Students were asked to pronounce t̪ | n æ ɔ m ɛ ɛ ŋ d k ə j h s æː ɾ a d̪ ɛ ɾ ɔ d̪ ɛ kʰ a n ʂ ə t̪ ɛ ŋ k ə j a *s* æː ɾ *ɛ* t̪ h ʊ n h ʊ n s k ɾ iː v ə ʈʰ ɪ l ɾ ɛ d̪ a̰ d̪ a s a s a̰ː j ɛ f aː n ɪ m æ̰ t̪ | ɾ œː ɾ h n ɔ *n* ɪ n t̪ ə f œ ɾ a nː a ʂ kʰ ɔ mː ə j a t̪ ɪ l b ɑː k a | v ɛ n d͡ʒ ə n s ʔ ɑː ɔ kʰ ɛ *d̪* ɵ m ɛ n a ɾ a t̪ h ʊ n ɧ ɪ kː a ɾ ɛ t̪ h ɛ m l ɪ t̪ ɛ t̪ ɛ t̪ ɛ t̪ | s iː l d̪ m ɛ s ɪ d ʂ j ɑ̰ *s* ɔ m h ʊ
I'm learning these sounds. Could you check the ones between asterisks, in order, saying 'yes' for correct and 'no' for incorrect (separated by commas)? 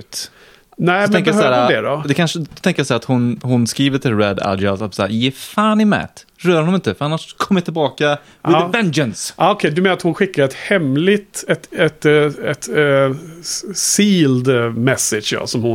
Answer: yes, no, no, yes, yes